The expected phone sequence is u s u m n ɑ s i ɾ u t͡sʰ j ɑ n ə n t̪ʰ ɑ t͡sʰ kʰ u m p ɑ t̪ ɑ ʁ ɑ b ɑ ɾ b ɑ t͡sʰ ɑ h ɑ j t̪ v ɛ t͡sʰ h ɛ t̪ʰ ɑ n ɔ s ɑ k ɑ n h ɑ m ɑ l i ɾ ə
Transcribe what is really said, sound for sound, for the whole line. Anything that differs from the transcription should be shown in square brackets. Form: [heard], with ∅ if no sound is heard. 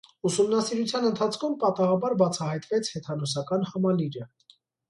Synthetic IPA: u s u m n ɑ s i ɾ u t͡sʰ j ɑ n ə n t̪ʰ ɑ t͡sʰ kʰ u m p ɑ t̪ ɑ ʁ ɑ b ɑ ɾ b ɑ t͡sʰ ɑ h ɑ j t̪ v ɛ t͡sʰ h ɛ t̪ʰ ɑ n ɔ s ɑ k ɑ n h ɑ m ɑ l i ɾ ə